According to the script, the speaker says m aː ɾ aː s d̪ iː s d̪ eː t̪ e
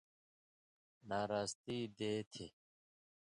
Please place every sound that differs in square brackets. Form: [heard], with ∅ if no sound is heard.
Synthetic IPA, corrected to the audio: [n] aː ɾ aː s [t̪] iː [∅] d̪ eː [t̪ʰ] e